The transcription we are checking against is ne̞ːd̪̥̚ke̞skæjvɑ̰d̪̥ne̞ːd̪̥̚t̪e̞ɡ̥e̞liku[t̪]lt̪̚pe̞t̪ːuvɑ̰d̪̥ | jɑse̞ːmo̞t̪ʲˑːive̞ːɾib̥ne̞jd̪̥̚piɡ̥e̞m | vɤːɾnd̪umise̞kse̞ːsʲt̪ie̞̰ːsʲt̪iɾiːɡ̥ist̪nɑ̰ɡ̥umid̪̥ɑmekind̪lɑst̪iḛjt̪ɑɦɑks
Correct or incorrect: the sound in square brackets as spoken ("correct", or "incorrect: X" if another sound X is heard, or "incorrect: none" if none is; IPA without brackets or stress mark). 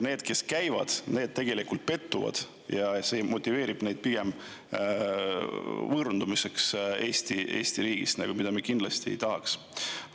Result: incorrect: none